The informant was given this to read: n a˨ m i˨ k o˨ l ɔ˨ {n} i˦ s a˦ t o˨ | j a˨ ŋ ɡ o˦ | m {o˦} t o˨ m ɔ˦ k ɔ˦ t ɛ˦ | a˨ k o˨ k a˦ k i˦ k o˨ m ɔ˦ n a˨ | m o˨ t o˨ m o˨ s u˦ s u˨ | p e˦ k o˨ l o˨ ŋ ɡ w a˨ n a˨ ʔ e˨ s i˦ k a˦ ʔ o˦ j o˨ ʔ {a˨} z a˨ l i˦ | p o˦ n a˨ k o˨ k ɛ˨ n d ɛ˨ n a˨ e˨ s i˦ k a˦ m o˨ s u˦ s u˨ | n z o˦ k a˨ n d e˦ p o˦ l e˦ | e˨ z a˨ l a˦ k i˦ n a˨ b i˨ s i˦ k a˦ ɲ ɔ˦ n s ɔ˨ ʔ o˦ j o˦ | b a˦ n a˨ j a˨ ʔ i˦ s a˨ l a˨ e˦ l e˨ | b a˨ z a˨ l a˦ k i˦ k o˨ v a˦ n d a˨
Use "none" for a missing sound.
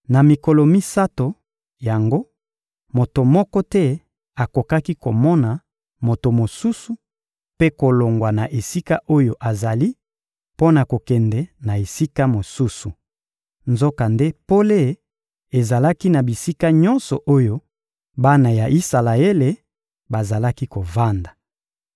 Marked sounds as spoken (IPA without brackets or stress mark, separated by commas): m, o˨, a˨